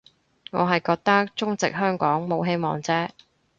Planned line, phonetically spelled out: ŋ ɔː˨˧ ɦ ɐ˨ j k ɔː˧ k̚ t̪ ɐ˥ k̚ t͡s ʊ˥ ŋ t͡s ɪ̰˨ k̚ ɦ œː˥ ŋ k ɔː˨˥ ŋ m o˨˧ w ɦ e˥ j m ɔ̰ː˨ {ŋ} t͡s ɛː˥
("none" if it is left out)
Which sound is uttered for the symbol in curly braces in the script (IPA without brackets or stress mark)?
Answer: ŋ